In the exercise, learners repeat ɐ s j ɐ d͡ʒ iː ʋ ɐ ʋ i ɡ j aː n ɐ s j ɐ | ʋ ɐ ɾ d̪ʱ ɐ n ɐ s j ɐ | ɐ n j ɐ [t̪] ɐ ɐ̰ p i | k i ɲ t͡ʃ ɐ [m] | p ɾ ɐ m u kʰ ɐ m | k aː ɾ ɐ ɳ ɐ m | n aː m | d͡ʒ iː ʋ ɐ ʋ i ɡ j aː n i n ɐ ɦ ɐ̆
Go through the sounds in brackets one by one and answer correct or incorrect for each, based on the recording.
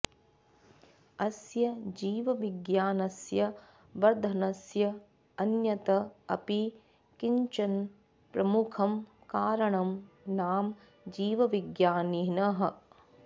correct, incorrect: n

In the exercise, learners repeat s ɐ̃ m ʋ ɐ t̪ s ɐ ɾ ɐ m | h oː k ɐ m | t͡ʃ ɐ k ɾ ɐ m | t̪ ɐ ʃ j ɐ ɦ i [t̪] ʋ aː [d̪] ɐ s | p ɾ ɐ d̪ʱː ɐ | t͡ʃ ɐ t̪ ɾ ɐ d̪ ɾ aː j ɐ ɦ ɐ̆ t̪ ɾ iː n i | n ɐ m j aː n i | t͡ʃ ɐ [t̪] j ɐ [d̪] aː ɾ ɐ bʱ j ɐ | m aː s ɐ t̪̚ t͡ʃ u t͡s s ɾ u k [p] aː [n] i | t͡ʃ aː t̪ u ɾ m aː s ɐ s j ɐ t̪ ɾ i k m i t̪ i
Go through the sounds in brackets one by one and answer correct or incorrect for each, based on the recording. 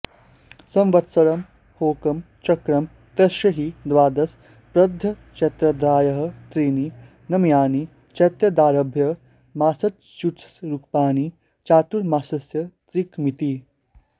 incorrect: d̪, correct, correct, correct, correct, correct

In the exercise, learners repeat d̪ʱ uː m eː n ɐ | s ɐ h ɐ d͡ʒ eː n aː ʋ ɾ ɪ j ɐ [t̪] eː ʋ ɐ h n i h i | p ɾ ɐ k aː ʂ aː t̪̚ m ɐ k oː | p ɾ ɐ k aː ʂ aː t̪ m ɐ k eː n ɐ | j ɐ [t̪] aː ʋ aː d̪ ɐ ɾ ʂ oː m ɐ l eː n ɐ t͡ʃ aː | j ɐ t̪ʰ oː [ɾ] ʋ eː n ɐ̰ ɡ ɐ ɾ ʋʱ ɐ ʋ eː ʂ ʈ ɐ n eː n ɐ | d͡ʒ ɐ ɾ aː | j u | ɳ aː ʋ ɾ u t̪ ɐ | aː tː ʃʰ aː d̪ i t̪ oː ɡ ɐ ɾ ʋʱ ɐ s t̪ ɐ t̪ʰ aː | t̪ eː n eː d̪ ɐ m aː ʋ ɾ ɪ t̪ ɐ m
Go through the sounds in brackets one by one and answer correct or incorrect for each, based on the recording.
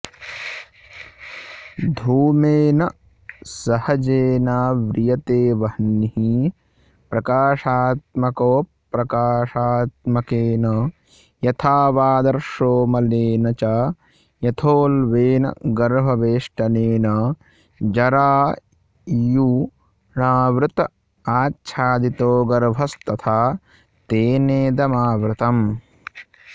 correct, incorrect: t̪ʰ, incorrect: l

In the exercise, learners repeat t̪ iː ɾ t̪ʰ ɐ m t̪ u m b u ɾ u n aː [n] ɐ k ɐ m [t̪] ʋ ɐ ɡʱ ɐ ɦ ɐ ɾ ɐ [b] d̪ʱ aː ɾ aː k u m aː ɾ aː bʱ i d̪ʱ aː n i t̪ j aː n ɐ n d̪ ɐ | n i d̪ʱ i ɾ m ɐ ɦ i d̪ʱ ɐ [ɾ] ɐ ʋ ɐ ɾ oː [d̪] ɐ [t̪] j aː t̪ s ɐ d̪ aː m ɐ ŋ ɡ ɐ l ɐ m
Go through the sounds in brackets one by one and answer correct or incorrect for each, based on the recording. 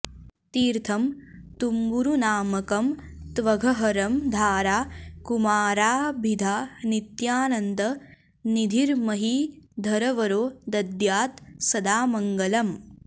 incorrect: m, correct, incorrect: m, correct, correct, incorrect: d̪

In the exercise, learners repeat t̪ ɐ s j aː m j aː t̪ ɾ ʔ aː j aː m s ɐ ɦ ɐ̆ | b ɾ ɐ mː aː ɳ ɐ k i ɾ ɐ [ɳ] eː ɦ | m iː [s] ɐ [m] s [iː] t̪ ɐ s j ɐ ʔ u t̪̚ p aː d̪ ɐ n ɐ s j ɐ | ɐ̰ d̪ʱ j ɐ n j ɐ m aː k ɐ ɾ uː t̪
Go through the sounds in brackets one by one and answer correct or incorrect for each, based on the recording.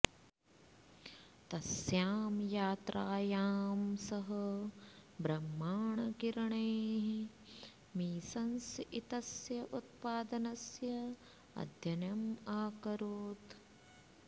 correct, correct, incorrect: n, incorrect: i

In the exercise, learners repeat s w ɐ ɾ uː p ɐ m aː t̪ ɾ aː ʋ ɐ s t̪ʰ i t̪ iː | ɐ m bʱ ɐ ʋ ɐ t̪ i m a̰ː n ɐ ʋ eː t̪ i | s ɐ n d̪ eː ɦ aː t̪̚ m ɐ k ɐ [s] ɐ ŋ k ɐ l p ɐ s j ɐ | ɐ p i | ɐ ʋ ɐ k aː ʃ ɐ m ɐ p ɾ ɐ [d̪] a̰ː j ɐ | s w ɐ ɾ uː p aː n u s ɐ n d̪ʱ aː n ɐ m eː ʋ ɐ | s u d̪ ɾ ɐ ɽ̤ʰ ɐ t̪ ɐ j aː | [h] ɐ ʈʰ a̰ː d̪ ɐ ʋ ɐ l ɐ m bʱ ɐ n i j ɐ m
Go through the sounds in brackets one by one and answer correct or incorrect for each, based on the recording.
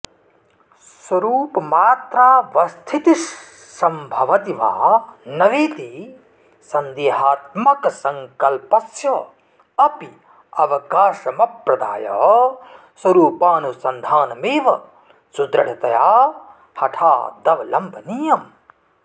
correct, correct, correct

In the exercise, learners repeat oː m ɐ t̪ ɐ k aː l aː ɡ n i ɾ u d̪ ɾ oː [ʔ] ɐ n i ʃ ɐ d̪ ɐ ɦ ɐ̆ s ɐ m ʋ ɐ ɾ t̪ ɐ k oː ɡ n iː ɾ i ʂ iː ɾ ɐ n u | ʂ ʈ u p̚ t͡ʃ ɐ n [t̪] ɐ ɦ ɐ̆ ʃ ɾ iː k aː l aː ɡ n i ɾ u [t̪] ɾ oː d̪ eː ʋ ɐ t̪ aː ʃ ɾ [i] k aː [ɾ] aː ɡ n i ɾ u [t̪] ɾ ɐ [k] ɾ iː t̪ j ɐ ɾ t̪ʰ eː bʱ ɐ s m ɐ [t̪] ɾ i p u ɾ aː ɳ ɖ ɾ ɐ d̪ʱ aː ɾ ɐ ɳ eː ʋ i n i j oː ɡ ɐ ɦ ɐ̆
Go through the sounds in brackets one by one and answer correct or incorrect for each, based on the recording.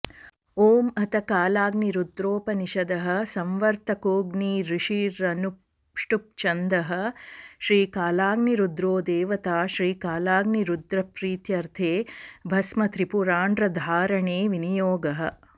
incorrect: p, incorrect: d̪, incorrect: d̪, incorrect: iː, incorrect: l, incorrect: d̪, incorrect: p, correct

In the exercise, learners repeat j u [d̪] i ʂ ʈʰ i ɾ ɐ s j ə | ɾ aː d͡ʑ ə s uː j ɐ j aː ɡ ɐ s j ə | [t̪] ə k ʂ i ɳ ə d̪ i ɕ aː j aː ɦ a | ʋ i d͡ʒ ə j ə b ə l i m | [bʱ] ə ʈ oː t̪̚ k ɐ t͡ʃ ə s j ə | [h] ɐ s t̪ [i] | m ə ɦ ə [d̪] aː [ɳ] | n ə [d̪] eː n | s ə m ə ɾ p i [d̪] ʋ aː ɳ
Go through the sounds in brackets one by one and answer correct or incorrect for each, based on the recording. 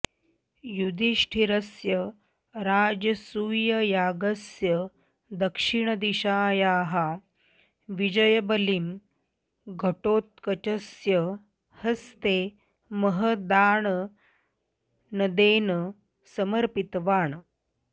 correct, incorrect: d̪, incorrect: ɡʱ, correct, incorrect: e, correct, correct, correct, incorrect: t̪

